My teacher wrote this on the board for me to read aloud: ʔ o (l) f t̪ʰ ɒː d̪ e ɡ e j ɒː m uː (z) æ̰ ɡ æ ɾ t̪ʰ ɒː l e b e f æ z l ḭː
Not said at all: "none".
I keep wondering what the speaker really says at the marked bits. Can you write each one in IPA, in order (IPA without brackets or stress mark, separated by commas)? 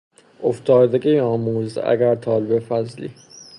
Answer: none, z